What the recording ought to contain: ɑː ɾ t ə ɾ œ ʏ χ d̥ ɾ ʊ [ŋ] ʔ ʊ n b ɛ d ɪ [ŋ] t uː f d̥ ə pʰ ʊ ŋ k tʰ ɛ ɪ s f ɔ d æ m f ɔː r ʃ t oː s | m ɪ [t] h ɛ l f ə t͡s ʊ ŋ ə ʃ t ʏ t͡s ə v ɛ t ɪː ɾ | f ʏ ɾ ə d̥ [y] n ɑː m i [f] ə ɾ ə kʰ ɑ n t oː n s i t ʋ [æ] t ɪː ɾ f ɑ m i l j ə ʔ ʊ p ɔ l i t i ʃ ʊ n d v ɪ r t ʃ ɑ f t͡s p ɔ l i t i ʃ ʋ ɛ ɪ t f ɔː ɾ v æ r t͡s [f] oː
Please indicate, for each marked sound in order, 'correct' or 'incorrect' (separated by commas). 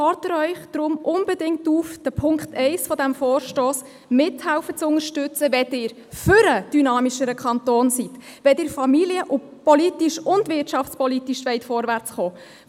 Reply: incorrect, correct, correct, correct, incorrect, incorrect, incorrect